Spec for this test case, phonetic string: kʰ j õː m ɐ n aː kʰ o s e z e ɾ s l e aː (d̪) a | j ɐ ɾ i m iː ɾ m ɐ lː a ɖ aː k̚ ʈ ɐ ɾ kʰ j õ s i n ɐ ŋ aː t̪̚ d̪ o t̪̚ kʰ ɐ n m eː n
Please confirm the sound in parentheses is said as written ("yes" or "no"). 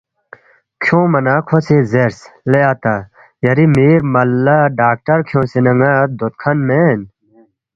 no